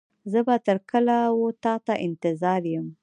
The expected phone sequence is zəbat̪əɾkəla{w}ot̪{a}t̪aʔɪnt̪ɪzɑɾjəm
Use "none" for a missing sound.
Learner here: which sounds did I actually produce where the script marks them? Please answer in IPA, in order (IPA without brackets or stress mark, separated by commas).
w, ɑ